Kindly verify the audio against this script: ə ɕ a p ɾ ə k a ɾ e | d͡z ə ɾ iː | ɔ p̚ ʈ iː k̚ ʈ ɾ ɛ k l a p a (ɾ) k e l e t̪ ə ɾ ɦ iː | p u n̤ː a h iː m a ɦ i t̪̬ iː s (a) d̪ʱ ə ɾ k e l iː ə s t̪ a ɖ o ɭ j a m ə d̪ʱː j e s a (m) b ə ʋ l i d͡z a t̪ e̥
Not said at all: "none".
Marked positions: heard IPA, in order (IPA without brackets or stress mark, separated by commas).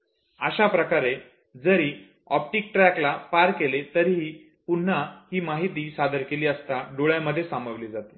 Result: ɾ, a, m